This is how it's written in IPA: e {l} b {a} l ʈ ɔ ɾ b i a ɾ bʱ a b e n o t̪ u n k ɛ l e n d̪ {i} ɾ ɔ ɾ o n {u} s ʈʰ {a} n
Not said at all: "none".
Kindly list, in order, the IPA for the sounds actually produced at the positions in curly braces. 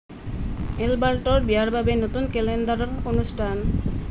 l, a, a, u, a

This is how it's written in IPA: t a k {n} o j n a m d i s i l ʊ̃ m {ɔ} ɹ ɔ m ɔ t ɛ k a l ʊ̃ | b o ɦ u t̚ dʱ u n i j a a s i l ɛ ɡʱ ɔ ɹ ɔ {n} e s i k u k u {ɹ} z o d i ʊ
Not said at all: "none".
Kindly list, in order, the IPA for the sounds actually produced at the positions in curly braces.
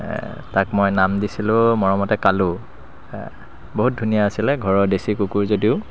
m, ɔ, d, ɹ

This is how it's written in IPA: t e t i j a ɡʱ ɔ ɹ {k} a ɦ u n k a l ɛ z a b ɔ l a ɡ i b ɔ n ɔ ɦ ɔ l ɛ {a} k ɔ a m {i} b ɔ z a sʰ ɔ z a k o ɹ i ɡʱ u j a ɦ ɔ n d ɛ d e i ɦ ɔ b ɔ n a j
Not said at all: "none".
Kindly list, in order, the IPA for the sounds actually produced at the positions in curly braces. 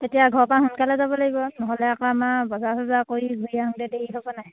p, a, a

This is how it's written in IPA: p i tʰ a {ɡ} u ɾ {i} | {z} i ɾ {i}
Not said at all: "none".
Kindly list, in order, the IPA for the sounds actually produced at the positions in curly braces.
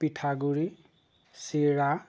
ɡ, i, s, a

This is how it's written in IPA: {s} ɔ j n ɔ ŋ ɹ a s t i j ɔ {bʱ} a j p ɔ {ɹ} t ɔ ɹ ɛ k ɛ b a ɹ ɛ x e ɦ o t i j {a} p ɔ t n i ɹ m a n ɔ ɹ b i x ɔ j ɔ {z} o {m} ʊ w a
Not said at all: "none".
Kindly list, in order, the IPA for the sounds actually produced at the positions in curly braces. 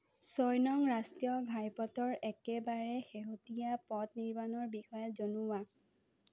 s, ɡʱ, none, a, z, n

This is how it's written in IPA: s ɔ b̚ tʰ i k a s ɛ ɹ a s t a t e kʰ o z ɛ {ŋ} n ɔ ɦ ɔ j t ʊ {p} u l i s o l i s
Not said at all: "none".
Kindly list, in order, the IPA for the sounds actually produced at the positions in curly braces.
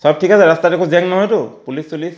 ŋ, p

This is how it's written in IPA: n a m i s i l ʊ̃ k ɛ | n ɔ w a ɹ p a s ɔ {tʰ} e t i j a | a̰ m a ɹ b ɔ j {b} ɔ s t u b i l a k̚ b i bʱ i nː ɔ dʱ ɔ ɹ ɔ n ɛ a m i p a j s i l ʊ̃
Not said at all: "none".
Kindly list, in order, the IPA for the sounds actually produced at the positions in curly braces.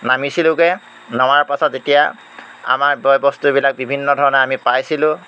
t, b

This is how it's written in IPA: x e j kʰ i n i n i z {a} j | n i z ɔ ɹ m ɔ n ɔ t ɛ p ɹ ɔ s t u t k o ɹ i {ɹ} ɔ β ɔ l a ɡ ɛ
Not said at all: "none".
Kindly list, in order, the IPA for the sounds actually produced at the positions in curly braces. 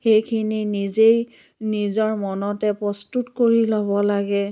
e, l

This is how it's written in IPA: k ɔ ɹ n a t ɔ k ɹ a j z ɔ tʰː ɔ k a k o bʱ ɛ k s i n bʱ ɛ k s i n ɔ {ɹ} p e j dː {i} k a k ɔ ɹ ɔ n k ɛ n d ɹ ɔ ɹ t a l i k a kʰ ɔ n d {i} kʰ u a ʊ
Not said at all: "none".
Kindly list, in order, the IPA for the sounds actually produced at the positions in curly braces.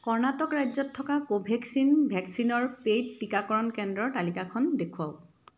ɹ, i, e

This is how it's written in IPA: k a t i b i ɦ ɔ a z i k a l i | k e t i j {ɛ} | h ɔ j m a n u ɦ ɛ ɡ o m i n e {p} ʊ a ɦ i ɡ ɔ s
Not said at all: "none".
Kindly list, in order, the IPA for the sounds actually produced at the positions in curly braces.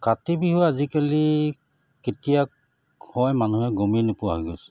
a, p

